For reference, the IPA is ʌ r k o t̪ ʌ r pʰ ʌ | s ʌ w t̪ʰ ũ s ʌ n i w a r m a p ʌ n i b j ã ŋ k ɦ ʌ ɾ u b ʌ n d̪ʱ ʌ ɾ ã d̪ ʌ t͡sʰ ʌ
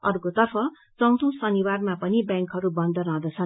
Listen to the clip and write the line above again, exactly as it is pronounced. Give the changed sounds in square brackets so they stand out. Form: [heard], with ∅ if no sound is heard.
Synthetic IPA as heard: ʌ r k o t̪ ʌ r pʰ ʌ | [t͡s] ʌ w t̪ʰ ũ s ʌ n i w a r m a p ʌ n i b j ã ŋ k ɦ ʌ ɾ u b ʌ n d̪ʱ ʌ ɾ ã d̪ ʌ t͡sʰ ʌ